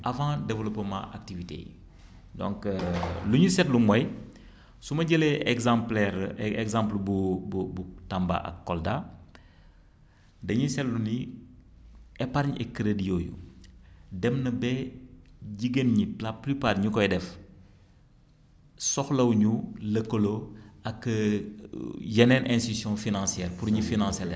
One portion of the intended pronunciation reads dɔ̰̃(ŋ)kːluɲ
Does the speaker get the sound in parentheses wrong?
no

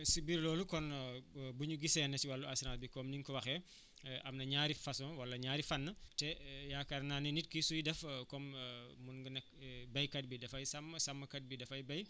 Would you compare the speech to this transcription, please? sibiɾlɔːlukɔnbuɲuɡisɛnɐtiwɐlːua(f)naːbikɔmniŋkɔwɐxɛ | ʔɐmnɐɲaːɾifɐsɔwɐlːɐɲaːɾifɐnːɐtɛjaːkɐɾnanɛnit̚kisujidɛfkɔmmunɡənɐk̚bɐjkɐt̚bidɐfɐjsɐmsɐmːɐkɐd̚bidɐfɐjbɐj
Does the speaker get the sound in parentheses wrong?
yes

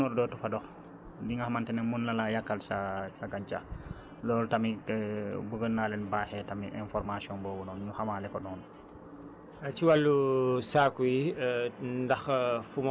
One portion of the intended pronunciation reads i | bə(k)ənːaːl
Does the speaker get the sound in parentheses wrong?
yes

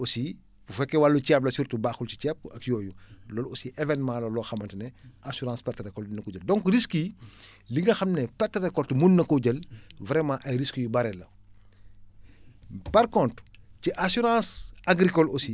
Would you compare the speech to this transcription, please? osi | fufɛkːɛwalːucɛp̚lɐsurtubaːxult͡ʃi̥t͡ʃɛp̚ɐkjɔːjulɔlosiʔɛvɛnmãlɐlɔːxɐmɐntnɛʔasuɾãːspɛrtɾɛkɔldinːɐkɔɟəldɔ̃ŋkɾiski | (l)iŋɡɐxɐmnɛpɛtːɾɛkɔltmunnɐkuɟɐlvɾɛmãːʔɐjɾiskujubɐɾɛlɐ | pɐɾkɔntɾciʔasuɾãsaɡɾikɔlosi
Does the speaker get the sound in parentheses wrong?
no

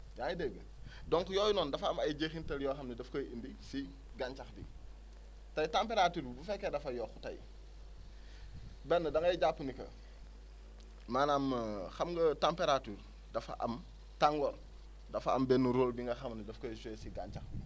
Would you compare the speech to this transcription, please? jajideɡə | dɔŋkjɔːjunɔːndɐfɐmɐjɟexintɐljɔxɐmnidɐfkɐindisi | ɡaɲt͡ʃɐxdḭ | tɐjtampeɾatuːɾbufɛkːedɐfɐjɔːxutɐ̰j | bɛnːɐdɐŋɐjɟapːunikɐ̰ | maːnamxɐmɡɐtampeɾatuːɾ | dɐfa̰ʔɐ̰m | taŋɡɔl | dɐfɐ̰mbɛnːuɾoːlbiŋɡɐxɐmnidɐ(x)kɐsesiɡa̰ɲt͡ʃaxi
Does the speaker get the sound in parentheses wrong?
yes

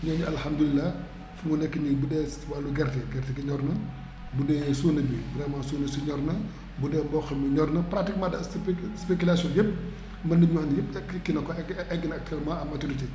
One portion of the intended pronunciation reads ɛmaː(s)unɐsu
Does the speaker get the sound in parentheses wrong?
no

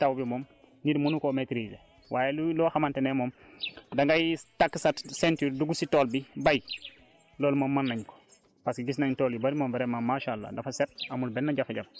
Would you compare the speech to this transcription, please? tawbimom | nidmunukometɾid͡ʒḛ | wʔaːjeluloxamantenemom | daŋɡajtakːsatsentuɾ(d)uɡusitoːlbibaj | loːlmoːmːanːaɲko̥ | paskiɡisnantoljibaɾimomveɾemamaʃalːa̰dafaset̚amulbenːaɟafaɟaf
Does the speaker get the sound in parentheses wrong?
no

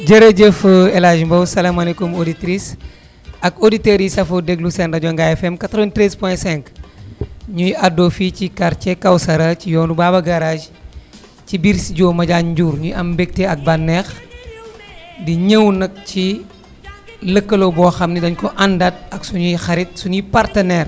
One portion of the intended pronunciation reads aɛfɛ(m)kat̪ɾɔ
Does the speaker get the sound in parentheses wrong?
no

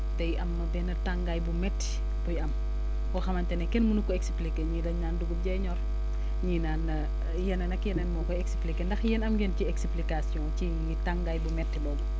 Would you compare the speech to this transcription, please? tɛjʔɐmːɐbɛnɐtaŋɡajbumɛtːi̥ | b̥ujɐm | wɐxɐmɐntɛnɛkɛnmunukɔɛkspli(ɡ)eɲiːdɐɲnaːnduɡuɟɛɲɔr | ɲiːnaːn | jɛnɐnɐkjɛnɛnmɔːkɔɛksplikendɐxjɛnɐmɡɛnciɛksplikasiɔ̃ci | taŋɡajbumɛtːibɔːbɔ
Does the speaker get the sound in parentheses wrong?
yes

